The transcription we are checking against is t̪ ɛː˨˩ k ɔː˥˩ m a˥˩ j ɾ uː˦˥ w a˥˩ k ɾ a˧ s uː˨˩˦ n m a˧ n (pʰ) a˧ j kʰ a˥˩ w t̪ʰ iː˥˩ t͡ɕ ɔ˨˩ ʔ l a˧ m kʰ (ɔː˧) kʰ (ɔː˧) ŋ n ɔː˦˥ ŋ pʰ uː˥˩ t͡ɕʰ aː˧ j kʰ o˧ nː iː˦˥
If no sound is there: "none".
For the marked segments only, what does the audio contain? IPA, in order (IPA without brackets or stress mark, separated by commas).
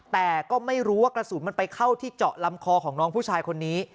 p, ɔː˧, ɔː˩˦